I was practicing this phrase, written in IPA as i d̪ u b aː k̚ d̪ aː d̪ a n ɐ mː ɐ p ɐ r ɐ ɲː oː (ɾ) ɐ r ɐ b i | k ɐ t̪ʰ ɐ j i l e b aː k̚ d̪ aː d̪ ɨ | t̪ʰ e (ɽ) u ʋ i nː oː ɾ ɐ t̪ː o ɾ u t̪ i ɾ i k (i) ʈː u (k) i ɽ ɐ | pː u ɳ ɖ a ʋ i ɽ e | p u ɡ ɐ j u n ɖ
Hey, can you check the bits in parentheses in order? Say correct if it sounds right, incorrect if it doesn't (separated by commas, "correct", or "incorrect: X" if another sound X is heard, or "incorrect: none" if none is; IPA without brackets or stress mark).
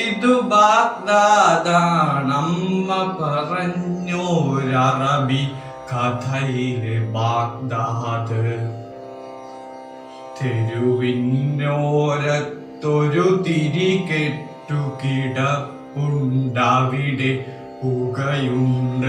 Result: correct, incorrect: ɾ, incorrect: e, correct